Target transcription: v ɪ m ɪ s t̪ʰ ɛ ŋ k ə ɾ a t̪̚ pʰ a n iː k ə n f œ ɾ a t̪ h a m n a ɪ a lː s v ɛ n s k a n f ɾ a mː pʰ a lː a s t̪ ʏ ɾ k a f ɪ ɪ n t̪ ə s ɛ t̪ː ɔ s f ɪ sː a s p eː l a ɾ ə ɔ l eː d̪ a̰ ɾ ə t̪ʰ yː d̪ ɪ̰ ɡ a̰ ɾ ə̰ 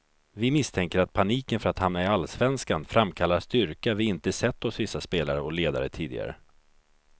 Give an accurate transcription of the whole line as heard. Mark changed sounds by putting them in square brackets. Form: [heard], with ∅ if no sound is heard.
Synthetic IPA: v ɪ m ɪ s t̪ʰ ɛ ŋ k ə ɾ a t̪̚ pʰ a n iː k ə n f œ ɾ a t̪ h a m n a ɪ a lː s v ɛ n s k a n f ɾ a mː [kʰ] a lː a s t̪ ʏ ɾ k a [v] ɪ ɪ n t̪ ə s ɛ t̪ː ɔ s [v] ɪ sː a s p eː l a ɾ ə ɔ l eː d̪ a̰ ɾ ə t̪ʰ [iː] d̪ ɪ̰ ɡ a̰ ɾ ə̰

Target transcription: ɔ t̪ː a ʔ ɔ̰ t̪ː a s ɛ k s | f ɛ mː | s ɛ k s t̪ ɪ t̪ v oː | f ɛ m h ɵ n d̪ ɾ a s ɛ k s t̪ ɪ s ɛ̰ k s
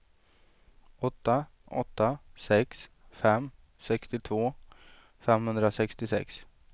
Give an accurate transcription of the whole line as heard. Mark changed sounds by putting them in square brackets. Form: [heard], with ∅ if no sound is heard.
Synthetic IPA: ɔ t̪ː a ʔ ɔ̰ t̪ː a s ɛ k s | f ɛ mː | s ɛ k s t̪ ɪ [t̪ʰ] v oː | f ɛ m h ɵ n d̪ ɾ a s ɛ k s t̪ ɪ s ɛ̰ k s

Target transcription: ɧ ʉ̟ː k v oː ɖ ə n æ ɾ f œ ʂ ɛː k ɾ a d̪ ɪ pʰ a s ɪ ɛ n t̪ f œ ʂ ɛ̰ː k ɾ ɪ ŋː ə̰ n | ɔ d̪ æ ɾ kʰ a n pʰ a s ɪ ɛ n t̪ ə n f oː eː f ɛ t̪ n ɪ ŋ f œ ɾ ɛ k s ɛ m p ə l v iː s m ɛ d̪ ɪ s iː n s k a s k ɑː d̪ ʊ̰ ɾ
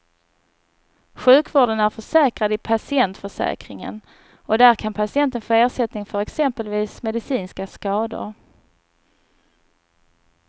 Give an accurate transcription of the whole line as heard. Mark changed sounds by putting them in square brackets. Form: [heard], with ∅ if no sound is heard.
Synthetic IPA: ɧ ʉ̟ː k v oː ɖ ə n æ ɾ f œ ʂ ɛː k ɾ a d̪ ɪ pʰ a s ɪ ɛ n t̪ f œ ʂ ɛ̰ː k ɾ ɪ [ŋ] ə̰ n | ɔ d̪ æ ɾ kʰ a n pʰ a s ɪ ɛ n t̪ ə n f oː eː [ʂ] ɛ t̪ n ɪ ŋ f œ ɾ ɛ k s ɛ m p ə l v iː s m ɛ d̪ ɪ s iː n s k a s k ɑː d̪ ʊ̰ ɾ

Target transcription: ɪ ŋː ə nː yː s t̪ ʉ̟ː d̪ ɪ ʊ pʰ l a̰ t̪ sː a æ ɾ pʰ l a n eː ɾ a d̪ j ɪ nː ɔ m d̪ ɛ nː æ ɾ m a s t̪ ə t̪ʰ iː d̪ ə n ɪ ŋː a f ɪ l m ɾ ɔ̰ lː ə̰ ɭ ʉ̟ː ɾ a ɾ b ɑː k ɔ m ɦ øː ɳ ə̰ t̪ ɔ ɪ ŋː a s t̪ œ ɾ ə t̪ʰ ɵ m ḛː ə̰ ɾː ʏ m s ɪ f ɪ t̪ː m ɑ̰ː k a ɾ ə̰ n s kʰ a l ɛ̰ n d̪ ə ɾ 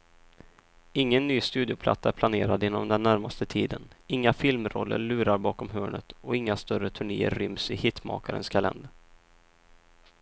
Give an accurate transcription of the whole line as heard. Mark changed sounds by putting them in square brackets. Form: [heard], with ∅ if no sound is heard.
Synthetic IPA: ɪ ŋː ə nː yː s t̪ ʉ̟ː d̪ ɪ ʊ pʰ l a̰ t̪ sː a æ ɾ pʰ l a n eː ɾ a d̪ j ɪ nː ɔ m d̪ ɛ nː æ ɾ m a s t̪ ə t̪ʰ iː d̪ ə n ɪ ŋː a f ɪ l m ɾ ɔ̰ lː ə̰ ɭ ʉ̟ː ɾ a ɾ b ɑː k ɔ m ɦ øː ɳ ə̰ t̪ ɔ ɪ ŋː a s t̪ œ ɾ ə t̪ʰ ɵ [ɳ] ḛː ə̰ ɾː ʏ m s ɪ [h] ɪ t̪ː m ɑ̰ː k a ɾ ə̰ n s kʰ a l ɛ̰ n d̪ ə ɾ

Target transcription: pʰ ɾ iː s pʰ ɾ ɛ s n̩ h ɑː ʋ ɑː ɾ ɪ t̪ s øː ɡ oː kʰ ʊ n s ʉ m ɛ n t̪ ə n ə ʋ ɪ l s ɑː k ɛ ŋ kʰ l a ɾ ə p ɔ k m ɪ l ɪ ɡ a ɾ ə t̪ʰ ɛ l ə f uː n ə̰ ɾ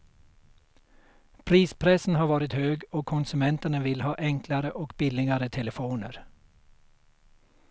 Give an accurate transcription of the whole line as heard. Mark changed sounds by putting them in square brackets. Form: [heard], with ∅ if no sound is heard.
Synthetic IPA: pʰ ɾ iː s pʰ ɾ ɛ s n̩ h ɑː ʋ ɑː ɾ ɪ t̪ [h] øː ɡ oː kʰ ʊ n s ʉ m ɛ n t̪ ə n ə ʋ ɪ l [h] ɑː [ʔ] ɛ ŋ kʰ l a ɾ ə [ʔ] ɔ k [b] ɪ l ɪ ɡ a ɾ ə t̪ʰ ɛ l ə f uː n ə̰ ɾ

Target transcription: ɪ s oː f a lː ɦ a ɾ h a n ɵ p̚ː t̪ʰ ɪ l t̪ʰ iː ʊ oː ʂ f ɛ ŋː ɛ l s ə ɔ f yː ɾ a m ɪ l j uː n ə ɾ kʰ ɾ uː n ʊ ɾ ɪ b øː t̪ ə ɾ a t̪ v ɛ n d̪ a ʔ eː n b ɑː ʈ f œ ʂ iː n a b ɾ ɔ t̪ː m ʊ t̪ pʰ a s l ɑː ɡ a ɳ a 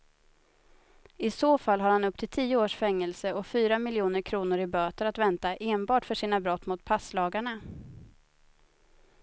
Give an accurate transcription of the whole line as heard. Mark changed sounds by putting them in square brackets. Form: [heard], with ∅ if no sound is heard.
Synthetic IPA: ɪ s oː f a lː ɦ a ɾ h a n ɵ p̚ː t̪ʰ ɪ l t̪ʰ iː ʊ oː ʂ f ɛ ŋː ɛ l s ə ɔ f yː ɾ a m ɪ l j uː n ə ɾ kʰ ɾ uː n ʊ ɾ ɪ b øː t̪ ə ɾ a t̪ v ɛ n [t̪] a ʔ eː n b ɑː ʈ f œ ʂ iː n a b ɾ ɔ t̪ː m ʊ t̪ pʰ a s l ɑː ɡ a ɳ a

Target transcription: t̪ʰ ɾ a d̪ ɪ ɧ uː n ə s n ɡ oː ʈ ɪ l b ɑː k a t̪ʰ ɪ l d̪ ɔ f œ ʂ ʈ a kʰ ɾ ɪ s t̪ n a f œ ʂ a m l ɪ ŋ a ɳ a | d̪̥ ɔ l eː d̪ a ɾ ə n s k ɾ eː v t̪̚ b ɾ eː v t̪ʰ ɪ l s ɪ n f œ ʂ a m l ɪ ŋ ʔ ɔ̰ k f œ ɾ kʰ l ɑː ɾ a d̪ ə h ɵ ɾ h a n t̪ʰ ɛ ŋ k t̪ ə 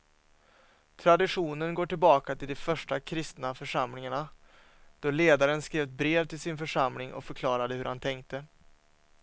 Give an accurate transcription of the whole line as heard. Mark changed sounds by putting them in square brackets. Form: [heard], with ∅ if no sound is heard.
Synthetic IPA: t̪ʰ ɾ a d̪ ɪ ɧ uː n ə [∅] n ɡ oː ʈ ɪ l b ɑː k a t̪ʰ ɪ l d̪ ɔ f œ ʂ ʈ a kʰ ɾ ɪ s t̪ n a f œ ʂ a m l ɪ ŋ a ɳ a | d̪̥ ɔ l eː d̪ a ɾ ə n s k ɾ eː v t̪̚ b ɾ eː v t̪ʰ ɪ l s ɪ n f œ ʂ a m l ɪ ŋ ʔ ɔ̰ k f œ ɾ kʰ l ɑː ɾ a d̪ ə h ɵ ɾ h a n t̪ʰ ɛ ŋ k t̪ ə

